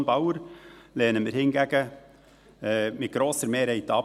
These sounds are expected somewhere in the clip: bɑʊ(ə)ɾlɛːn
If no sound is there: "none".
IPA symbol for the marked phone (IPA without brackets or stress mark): ə